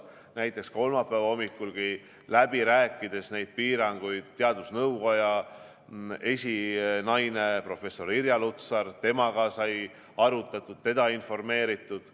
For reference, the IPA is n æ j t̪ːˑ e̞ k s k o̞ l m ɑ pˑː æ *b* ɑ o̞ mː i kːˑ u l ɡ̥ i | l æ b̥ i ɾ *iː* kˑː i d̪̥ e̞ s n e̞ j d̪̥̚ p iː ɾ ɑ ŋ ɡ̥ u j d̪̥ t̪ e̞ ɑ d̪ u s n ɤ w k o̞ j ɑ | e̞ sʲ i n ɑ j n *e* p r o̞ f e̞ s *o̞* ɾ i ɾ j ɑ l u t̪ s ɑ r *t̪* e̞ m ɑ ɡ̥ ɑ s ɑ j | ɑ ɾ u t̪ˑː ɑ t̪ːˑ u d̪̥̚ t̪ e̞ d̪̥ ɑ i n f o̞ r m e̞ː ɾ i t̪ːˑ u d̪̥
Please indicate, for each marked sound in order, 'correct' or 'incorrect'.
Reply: incorrect: v, incorrect: æː, correct, correct, correct

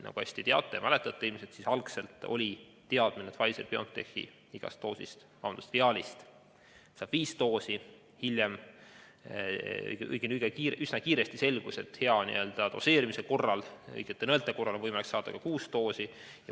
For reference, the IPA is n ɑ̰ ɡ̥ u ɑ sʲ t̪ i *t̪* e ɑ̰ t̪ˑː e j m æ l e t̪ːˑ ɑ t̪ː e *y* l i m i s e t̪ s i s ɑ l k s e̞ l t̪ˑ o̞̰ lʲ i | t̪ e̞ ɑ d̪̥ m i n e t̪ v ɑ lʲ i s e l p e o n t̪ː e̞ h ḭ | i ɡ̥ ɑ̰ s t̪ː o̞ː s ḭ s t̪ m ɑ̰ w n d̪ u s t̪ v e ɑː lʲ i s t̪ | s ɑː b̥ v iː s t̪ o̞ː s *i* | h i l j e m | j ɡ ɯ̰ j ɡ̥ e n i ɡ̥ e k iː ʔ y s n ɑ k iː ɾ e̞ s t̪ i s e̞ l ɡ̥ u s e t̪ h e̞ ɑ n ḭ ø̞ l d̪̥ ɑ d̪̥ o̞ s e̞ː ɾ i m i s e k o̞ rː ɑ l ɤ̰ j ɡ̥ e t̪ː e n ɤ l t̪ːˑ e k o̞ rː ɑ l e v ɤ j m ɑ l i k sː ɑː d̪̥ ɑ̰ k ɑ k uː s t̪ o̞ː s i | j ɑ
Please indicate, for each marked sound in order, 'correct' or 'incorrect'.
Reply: correct, incorrect: i, correct

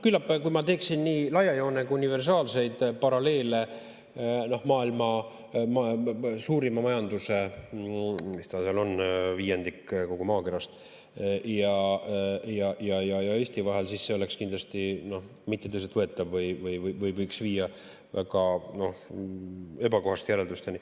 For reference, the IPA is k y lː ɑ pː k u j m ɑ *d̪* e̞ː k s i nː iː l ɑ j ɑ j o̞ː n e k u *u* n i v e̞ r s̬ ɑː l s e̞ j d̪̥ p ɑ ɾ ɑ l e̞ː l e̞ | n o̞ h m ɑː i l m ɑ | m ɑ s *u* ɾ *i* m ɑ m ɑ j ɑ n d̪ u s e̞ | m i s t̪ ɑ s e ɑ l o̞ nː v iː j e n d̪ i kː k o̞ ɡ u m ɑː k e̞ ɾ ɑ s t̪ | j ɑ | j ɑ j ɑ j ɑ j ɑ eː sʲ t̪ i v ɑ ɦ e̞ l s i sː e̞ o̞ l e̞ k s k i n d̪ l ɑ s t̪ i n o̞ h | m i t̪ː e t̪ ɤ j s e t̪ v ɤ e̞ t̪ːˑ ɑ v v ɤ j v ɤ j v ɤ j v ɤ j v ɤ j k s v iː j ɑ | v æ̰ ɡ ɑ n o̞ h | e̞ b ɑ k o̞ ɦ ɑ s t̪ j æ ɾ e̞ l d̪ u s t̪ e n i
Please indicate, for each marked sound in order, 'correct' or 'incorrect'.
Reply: incorrect: t̪, correct, incorrect: uː, correct

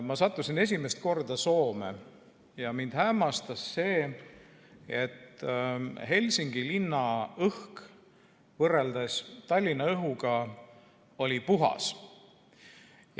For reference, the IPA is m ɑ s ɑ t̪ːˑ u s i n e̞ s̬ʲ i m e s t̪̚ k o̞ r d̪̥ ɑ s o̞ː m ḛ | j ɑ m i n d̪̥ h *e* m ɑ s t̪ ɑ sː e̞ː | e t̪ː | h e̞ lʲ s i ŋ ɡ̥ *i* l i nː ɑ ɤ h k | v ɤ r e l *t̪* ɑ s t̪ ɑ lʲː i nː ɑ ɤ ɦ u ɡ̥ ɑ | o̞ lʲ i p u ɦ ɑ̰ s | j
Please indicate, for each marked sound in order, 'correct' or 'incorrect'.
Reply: incorrect: æ, correct, incorrect: d̪

